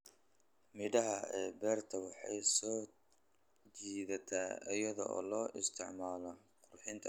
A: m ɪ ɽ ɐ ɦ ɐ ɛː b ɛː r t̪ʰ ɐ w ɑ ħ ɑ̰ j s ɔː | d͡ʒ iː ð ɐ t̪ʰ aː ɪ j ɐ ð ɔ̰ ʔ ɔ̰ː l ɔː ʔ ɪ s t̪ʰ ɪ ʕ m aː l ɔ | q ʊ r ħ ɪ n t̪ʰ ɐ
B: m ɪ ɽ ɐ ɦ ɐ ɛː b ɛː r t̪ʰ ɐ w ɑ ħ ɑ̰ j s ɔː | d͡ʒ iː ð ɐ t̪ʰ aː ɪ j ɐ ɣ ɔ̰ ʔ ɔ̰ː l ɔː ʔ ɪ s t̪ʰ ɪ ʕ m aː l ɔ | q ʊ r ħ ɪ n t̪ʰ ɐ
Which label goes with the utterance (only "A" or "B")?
A